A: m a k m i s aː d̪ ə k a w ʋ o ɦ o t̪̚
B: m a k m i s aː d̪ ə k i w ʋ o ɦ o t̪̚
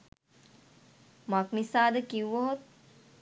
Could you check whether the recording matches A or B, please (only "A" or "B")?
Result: B